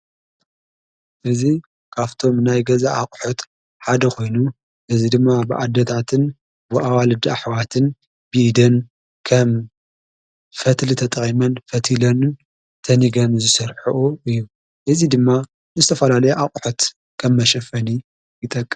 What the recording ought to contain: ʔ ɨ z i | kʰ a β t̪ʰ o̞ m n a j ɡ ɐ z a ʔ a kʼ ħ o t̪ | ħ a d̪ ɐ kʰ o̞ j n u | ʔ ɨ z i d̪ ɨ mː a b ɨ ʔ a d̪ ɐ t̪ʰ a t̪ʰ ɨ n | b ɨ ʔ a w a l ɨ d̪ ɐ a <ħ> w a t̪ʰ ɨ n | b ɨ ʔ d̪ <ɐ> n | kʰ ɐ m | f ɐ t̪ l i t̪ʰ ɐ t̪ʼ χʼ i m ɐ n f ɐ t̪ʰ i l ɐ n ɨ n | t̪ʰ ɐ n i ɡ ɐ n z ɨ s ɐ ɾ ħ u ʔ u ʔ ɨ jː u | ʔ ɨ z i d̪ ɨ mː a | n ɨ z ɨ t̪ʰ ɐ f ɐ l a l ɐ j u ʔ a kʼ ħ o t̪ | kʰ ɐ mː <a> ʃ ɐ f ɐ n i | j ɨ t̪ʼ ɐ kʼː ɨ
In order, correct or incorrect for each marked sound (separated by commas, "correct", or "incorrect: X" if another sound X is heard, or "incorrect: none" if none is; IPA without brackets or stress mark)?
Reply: correct, correct, incorrect: ɐ